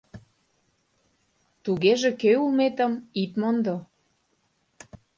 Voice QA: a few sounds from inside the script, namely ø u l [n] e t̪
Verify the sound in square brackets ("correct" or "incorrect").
incorrect